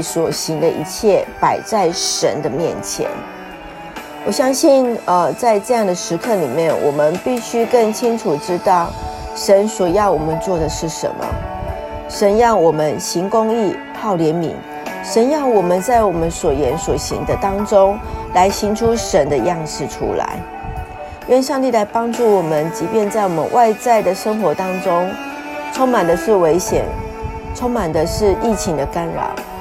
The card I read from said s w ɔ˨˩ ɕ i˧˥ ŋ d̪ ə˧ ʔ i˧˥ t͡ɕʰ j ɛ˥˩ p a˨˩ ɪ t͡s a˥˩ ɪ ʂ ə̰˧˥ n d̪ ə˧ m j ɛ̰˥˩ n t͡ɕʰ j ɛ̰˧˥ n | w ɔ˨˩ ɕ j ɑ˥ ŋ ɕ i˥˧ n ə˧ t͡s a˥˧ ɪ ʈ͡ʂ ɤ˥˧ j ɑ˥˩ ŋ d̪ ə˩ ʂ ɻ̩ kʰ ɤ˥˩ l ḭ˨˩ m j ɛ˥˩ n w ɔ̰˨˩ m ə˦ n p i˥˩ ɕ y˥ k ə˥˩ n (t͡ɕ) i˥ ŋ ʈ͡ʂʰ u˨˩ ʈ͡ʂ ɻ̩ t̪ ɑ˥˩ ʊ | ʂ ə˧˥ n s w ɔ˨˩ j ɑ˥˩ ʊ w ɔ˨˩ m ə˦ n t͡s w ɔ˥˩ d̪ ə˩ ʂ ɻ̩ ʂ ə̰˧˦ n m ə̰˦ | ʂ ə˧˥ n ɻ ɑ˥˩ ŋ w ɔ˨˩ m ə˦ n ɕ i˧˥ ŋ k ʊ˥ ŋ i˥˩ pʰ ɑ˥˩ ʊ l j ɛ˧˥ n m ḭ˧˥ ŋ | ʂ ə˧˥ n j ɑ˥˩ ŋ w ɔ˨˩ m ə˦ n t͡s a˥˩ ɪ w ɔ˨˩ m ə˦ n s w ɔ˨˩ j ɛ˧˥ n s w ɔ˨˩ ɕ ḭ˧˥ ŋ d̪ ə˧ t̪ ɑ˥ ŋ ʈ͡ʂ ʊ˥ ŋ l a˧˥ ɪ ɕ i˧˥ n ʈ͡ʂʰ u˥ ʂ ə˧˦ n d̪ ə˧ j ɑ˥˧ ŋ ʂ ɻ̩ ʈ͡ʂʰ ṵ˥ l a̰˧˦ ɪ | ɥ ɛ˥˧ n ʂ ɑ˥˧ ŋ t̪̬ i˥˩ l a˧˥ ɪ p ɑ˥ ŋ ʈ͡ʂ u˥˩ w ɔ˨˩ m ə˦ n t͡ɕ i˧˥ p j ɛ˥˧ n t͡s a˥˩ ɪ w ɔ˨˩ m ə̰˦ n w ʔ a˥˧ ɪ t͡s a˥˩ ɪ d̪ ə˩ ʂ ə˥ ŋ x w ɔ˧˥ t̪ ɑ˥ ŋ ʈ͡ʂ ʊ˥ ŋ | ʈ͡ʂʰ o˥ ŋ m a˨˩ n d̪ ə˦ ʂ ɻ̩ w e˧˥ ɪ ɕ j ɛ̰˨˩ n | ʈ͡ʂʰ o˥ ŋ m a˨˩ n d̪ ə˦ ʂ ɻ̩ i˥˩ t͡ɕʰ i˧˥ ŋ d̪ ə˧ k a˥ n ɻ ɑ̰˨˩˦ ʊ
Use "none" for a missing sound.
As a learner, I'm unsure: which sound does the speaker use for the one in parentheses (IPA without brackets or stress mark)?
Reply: t͡ɕʰ